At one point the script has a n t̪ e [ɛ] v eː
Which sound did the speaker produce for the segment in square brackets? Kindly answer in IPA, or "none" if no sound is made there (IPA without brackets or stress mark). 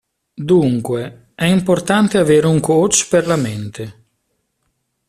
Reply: a